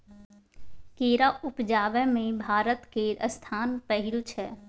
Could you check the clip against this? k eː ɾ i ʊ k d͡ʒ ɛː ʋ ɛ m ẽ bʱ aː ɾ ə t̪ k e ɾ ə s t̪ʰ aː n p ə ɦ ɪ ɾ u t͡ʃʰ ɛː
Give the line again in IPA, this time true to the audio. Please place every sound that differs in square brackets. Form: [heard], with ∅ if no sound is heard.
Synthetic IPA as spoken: k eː ɾ [a] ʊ [p] d͡ʒ [aː] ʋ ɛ m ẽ bʱ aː ɾ ə t̪ k e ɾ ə s t̪ʰ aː n p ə ɦ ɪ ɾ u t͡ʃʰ ɛː